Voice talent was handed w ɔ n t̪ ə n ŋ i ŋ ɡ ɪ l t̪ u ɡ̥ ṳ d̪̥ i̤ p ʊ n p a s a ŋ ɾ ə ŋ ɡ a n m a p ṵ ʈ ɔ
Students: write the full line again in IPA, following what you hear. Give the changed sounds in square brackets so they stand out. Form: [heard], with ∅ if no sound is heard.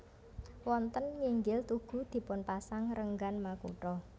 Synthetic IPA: w ɔ n t̪ ə n ŋ i ŋ ɡ ɪ l t̪ u ɡ̥ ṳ d̪̥ i̤ p ʊ n p a s a ŋ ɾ ə ŋ ɡ a n m a [k] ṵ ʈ ɔ